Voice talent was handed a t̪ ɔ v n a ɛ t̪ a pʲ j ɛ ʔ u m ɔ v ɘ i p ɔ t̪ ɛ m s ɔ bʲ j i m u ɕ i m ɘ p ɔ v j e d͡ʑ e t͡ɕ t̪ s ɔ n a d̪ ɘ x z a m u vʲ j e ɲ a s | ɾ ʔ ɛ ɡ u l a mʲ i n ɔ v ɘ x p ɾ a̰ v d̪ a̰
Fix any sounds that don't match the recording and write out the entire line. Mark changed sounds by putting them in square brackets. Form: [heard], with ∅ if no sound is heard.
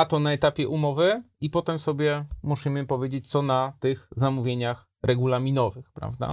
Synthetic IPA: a t̪ ɔ [∅] n a ɛ t̪ a pʲ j ɛ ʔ u m ɔ v ɘ i p ɔ t̪ ɛ m s ɔ bʲ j [ɛ] m u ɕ i m ɘ p ɔ v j e d͡ʑ e t͡ɕ t̪ s ɔ n a [t̪] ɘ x z a m u vʲ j e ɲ a [x] | ɾ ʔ ɛ ɡ u l a mʲ i n ɔ v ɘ x p ɾ a̰ v d̪ a̰